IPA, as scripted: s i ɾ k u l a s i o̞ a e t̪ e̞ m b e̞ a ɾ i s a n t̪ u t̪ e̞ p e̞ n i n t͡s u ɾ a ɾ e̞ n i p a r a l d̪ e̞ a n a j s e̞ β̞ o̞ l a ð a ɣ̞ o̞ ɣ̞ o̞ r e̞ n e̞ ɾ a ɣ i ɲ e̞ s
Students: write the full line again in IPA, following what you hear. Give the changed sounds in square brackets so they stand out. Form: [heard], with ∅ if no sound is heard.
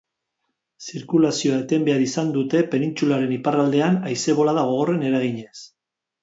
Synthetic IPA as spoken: s i ɾ k u l a s i o̞ a e t̪ e̞ m b e̞ a ɾ i s a n [d̪] u t̪ e̞ p e̞ n i n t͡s u [l] a ɾ e̞ n i p a r a l d̪ e̞ a n a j s e̞ β̞ o̞ l a ð a ɣ̞ o̞ ɣ̞ o̞ r e̞ n e̞ ɾ a ɣ i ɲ e̞ s

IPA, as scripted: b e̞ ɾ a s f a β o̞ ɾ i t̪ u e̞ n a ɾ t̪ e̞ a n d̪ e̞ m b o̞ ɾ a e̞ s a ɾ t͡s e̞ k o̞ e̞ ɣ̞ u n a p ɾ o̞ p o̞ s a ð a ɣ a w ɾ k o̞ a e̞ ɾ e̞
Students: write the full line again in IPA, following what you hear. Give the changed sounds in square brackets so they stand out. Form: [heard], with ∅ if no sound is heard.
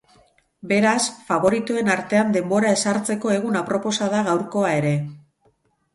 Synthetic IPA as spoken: b e̞ ɾ a s f a β o̞ ɾ i t̪ u e̞ n a ɾ t̪ e̞ a n d̪ e̞ m b o̞ ɾ a e̞ s a ɾ t͡s e̞ k o̞ e̞ ɣ̞ u n a p ɾ o̞ p o̞ s a ð a ɣ a w ɾ k o̞ a e̞ ɾ e̞

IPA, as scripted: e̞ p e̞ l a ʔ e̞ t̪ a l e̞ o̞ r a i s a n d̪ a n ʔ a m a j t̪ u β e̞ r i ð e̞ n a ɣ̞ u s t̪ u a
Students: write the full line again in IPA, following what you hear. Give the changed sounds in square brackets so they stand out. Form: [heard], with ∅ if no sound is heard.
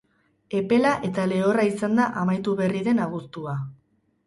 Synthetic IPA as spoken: e̞ p e̞ l a ʔ e̞ t̪ a l e̞ o̞ r a i s a n d̪ a [∅] ʔ a m a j t̪ u β e̞ r i ð e̞ n a ɣ̞ u s t̪ u a

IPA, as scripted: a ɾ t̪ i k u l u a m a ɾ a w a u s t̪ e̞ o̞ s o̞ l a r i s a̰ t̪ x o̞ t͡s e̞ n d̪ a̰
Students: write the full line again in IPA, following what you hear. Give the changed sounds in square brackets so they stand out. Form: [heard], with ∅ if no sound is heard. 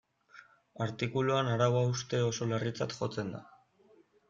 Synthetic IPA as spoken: a ɾ t̪ i k u l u a [n] a ɾ a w a u s t̪ e̞ o̞ s o̞ l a r i [t͡s] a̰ t̪ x o̞ t͡s e̞ n d̪ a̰

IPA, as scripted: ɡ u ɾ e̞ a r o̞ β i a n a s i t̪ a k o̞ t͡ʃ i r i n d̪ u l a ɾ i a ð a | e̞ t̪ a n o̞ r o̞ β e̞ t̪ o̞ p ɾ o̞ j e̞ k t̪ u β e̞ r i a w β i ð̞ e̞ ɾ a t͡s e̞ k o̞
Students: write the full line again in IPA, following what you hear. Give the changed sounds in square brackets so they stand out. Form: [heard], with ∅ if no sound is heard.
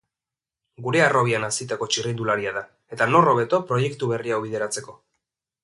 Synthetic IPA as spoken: ɡ u ɾ e̞ a r o̞ β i a n a s i t̪ a k o̞ t͡ʃ i r i n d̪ u l a ɾ i a ð a | e̞ t̪ a n o̞ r o̞ β e̞ t̪ o̞ p ɾ o̞ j e̞ k t̪ u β e̞ r i a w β i ð̞ e̞ ɾ a t͡s e̞ k o̞

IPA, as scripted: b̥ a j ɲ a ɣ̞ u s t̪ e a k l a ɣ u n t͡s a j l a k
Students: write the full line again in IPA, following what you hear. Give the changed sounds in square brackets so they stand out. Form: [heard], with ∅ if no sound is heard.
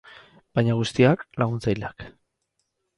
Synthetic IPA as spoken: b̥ a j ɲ a ɣ̞ u s t̪ [i] a k l a ɣ u n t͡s a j l a k

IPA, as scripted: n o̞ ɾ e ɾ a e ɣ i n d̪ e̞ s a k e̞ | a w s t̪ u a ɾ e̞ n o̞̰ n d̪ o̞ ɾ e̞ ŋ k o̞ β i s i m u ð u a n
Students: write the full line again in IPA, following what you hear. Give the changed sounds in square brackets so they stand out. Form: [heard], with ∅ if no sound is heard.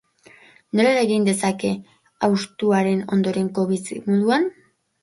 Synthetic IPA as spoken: n o̞ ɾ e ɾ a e ɣ i n d̪ e̞ s a k e̞ | a w s t̪ u a ɾ e̞ n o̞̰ n d̪ o̞ ɾ e̞ ŋ k o̞ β i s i m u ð u a n

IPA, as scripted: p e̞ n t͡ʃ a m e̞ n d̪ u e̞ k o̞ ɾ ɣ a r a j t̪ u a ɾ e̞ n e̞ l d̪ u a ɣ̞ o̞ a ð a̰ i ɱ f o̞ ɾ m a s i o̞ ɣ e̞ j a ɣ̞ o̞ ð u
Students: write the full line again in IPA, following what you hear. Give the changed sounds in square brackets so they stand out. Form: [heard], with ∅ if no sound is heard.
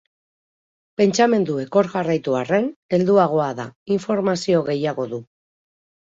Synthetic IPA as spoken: p e̞ n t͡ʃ a m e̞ n d̪ u e̞ k o̞ ɾ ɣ a r a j t̪ u a [r] e̞ n e̞ l d̪ u a ɣ̞ o̞ a ð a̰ i ɱ f o̞ ɾ m a s i o̞ ɣ e̞ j a ɣ̞ o̞ ð u

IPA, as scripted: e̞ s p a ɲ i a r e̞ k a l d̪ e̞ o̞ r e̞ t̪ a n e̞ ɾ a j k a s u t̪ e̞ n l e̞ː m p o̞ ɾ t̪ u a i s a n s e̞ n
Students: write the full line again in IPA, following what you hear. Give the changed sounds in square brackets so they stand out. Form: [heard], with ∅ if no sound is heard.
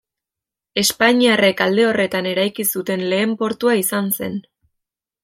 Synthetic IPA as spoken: e̞ s p a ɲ i a r e̞ k a l d̪ e̞ o̞ r e̞ t̪ a n e̞ ɾ a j k [i] s u t̪ e̞ n l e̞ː m p o̞ ɾ t̪ u a i s a n s e̞ n

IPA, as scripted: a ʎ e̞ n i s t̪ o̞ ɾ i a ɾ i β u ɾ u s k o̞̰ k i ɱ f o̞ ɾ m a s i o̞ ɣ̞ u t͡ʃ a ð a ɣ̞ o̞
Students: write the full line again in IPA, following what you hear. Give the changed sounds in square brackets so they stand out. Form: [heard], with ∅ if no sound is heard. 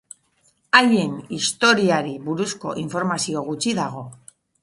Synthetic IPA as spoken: a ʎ e̞ n i s t̪ o̞ ɾ i a ɾ i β u ɾ u s k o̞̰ [ʔ] i ɱ f o̞ ɾ m a s i o̞ ɣ̞ u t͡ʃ [i] ð a ɣ̞ o̞

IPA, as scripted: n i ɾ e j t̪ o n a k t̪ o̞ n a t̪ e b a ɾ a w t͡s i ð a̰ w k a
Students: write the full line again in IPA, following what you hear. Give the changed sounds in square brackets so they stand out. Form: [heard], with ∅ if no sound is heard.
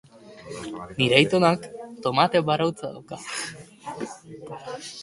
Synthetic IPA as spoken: n i ɾ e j t̪ o n a k t̪ o̞ [m] a t̪ e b a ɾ a w t͡s [a] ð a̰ w k a

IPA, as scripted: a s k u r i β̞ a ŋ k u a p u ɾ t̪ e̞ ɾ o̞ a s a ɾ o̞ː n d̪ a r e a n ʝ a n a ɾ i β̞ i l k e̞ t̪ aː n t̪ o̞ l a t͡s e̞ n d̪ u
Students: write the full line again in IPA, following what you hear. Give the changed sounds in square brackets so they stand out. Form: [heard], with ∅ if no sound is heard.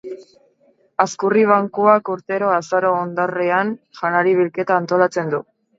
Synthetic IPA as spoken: a s k u r i β̞ a ŋ k u a [k] u ɾ t̪ e̞ ɾ o̞ a s a ɾ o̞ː n d̪ a r e a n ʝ a n a ɾ i β̞ i l k e̞ t̪ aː n t̪ o̞ l a t͡s e̞ n d̪ u

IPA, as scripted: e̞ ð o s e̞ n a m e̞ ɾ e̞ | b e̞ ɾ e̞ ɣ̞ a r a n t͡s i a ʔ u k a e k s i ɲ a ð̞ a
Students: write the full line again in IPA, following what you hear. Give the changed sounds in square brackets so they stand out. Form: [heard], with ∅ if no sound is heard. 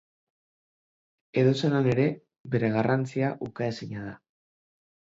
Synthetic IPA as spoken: e̞ ð o s e̞ n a [n] e̞ ɾ e̞ | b e̞ ɾ e̞ ɣ̞ a r a n t͡s i a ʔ u k a e [∅] s i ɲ a ð̞ a

